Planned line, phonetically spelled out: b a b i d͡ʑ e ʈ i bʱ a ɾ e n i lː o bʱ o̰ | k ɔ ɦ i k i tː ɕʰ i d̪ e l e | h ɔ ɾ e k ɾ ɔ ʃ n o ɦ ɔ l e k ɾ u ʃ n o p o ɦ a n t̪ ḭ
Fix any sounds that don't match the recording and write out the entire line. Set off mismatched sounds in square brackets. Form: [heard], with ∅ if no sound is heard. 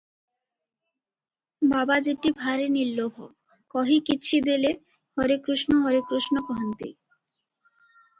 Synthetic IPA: b a b [a] d͡ʑ e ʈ i bʱ a ɾ e n i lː o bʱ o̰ | k ɔ ɦ i k i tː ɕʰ i d̪ e l e | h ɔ ɾ e k ɾ [u] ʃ n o ɦ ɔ [ɾ] e k ɾ u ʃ n o p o ɦ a n t̪ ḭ